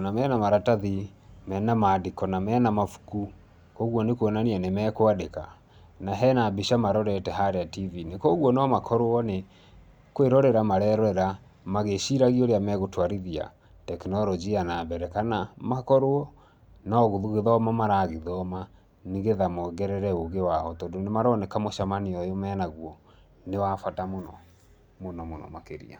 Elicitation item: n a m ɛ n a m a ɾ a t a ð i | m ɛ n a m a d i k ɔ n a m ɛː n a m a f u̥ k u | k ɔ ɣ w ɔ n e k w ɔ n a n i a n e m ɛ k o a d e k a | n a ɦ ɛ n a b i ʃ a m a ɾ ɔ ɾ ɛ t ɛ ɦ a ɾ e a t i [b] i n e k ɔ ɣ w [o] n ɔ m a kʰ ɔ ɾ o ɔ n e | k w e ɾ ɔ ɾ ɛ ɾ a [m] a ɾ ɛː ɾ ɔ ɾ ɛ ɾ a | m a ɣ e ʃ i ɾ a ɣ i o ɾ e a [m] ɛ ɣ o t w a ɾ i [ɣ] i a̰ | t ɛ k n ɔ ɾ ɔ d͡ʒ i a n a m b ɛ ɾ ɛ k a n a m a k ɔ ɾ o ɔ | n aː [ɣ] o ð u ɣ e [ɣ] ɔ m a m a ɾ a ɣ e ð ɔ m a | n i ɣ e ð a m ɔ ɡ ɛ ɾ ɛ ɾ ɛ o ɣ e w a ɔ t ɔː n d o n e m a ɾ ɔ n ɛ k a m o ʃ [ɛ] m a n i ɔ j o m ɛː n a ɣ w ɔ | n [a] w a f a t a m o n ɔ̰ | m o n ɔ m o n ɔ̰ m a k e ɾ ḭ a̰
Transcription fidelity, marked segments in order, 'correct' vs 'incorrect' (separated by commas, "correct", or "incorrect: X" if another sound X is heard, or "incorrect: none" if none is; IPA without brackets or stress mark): incorrect: v, incorrect: ɔ, correct, correct, incorrect: ð, correct, incorrect: ð, incorrect: a, incorrect: e